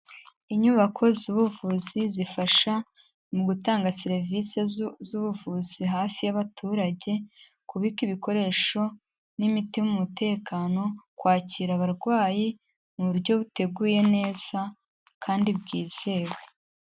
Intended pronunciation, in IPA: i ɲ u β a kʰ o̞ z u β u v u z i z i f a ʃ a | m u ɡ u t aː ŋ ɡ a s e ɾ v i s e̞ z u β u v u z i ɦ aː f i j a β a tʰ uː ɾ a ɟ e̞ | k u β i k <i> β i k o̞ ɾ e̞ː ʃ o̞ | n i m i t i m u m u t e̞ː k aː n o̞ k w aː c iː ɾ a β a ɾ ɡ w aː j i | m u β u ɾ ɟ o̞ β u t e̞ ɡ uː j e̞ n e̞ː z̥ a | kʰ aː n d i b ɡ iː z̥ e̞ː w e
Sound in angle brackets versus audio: correct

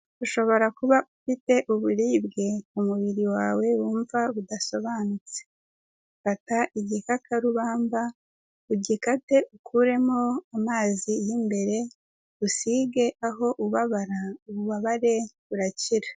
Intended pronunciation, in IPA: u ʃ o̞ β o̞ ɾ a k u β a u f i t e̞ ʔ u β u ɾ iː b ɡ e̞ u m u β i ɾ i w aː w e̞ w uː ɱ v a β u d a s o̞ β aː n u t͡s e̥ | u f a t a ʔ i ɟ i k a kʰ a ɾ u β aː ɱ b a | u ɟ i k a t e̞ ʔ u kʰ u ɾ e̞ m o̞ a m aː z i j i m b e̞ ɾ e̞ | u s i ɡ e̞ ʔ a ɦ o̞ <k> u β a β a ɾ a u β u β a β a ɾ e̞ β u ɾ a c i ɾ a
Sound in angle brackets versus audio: incorrect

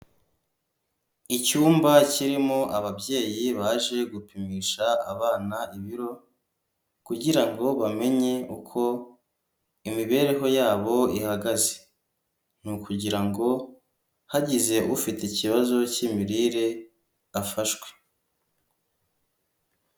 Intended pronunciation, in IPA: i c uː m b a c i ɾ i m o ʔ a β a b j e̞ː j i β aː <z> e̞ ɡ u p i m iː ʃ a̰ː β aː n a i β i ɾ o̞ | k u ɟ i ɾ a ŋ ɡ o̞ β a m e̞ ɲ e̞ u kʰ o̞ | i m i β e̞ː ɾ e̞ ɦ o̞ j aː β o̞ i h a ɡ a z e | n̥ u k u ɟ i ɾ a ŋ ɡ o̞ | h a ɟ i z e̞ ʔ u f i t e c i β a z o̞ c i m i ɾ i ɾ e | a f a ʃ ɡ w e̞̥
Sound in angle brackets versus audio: incorrect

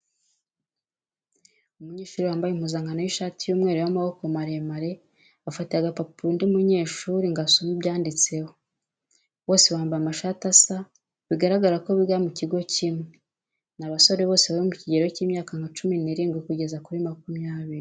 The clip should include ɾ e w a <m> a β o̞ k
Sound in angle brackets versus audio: correct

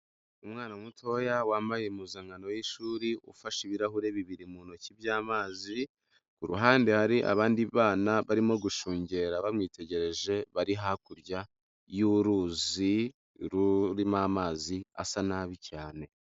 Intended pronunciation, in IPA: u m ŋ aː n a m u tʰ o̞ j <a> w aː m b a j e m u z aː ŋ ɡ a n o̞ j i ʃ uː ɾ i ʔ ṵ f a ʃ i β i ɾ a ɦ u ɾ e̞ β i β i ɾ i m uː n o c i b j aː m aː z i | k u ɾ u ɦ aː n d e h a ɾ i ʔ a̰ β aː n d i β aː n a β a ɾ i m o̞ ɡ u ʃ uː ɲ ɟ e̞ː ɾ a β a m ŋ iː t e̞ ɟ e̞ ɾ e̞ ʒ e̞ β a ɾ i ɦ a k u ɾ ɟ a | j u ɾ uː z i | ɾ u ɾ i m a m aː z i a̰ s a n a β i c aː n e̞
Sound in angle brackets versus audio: correct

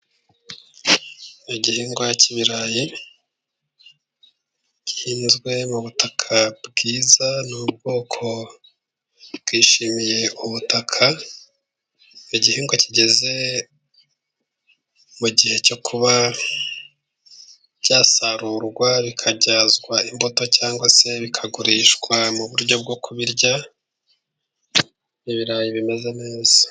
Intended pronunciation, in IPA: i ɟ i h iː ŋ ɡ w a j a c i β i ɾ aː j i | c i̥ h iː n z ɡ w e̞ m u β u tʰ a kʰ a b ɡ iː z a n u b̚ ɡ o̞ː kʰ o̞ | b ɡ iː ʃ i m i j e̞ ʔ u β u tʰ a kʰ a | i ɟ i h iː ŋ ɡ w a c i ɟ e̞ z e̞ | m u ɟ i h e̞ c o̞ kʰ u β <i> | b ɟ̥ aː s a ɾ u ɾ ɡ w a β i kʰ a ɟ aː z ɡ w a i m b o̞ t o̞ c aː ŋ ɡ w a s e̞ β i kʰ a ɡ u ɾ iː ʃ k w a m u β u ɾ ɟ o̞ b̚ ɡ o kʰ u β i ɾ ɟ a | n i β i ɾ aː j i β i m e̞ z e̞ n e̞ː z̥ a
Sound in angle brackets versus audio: incorrect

